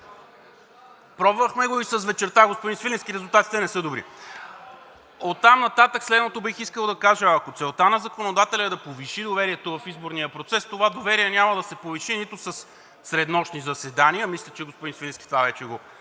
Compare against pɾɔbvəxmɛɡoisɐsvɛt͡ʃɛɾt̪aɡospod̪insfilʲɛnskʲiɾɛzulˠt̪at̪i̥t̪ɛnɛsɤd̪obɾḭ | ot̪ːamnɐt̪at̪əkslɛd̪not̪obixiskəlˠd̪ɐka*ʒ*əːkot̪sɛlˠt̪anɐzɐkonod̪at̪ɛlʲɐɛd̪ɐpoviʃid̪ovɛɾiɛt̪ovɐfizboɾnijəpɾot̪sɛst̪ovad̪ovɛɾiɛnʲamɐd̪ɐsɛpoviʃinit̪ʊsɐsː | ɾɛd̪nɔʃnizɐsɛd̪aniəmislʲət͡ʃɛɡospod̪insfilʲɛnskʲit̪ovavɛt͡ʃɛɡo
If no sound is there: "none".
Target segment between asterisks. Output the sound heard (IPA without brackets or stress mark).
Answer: ʒ